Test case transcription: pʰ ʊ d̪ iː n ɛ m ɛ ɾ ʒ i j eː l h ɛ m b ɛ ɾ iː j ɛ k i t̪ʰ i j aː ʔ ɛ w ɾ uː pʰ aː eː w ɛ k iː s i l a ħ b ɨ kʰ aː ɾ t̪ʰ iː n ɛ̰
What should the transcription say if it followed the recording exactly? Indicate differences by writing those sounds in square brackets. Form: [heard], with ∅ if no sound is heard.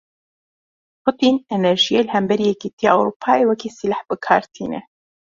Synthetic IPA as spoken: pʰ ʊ [t̪] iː n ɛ [n] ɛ ɾ ʒ i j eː l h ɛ m b ɛ ɾ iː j ɛ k i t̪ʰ i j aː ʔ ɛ w ɾ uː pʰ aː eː w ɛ k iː s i l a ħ b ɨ kʰ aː ɾ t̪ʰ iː n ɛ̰

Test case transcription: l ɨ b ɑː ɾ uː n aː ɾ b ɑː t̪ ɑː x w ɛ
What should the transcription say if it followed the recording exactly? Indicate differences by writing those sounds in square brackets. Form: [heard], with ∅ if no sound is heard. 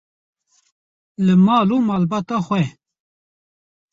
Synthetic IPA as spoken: l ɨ [m] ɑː [l] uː [m] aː [l] b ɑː t̪ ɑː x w ɛ

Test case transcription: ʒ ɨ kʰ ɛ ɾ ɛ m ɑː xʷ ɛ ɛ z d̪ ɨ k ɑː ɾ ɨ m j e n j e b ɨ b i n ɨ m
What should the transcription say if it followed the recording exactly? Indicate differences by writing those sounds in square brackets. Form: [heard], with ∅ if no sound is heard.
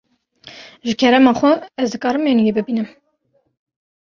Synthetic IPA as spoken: ʒ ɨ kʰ ɛ ɾ ɛ m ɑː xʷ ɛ ɛ z d̪ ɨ k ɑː ɾ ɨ m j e n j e b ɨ b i n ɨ m

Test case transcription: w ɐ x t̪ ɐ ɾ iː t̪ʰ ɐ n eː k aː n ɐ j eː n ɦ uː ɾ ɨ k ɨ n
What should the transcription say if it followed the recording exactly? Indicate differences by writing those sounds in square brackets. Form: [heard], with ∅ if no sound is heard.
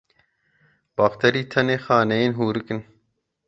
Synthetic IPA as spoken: [b] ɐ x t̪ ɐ ɾ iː t̪ʰ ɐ n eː [x] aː n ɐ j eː n ɦ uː ɾ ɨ k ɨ n

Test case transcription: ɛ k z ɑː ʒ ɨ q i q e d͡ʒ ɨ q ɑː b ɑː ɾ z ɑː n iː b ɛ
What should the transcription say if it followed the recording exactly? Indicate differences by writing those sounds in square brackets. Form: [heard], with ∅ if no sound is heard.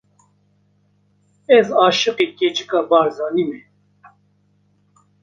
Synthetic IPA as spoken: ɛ [∅] z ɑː [ʃ] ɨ q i [k] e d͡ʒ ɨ [k] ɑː b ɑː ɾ z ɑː n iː [m] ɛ

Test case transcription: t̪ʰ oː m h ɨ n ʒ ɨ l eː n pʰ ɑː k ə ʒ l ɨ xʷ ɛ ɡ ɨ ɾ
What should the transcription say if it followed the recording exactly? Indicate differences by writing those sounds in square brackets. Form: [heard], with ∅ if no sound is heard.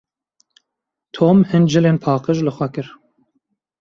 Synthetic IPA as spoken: t̪ʰ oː m h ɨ n [d͡ʒ] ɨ l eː n pʰ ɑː [q] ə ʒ l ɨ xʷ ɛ [k] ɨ ɾ

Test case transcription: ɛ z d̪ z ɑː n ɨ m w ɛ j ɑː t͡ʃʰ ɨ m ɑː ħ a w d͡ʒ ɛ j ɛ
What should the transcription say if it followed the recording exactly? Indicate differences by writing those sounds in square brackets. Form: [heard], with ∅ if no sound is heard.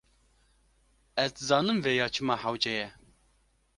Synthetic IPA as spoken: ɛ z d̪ z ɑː n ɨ m [v] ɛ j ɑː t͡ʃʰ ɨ m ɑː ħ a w d͡ʒ ɛ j ɛ

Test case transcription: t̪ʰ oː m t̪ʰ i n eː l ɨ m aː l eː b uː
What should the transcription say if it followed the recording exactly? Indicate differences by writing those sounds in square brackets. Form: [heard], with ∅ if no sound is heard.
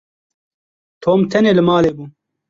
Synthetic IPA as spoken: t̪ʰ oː m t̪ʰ [ɛ] n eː l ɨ m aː l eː b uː

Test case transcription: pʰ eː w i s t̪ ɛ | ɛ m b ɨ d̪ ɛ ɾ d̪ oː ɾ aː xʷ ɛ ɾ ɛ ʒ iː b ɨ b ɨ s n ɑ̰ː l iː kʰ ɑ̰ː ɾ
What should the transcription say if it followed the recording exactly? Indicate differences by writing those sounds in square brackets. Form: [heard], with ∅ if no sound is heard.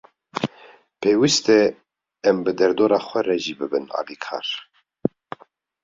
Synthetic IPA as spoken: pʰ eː w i s t̪ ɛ | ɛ m b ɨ d̪ ɛ ɾ d̪ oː ɾ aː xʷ ɛ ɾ ɛ ʒ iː b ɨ b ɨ [∅] n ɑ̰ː l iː kʰ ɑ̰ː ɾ

